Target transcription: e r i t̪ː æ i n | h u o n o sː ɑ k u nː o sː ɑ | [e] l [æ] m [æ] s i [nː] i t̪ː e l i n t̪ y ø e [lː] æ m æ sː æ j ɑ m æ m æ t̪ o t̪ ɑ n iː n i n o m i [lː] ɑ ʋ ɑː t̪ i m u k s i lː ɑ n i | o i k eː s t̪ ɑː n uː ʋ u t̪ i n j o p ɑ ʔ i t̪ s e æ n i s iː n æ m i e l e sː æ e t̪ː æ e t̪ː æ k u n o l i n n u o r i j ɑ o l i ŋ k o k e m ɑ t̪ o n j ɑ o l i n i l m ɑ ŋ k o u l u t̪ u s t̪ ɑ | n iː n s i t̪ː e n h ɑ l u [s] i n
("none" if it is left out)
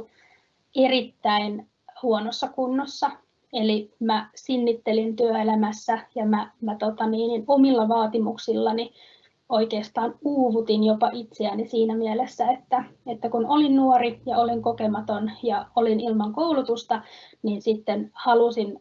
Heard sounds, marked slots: e, i, æ, nː, l, lː, s

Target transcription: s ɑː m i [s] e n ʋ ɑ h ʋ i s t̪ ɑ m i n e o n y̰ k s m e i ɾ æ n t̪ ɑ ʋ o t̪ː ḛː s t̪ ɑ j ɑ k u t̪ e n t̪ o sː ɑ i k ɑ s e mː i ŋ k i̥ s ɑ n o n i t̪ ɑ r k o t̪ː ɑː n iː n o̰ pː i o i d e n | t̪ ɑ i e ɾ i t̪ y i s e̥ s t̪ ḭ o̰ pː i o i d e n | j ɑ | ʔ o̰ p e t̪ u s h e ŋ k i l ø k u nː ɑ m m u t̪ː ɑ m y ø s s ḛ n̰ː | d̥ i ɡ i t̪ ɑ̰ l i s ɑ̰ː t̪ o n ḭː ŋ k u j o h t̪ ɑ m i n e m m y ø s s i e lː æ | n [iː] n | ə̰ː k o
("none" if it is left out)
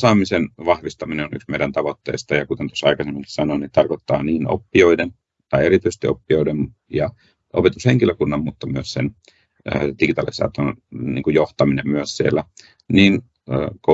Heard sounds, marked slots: s, iː

